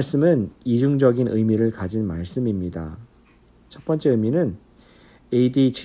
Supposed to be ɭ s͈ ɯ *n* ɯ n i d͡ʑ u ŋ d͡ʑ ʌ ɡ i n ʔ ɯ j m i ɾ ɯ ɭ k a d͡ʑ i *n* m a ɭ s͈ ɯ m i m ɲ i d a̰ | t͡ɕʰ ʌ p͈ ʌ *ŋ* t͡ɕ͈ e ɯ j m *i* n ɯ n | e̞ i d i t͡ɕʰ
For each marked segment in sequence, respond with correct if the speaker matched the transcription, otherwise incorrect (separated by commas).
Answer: incorrect, correct, incorrect, correct